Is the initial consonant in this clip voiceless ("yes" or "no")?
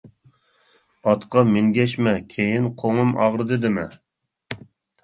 yes